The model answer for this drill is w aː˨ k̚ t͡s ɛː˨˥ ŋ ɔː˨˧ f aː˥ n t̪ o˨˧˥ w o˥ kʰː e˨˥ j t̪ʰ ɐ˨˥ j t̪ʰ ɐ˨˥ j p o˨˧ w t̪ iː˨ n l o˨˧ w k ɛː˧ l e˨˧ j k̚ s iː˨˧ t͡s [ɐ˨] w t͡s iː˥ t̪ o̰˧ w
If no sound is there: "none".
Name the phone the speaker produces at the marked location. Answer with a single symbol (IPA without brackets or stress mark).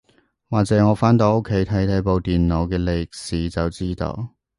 ɐ˨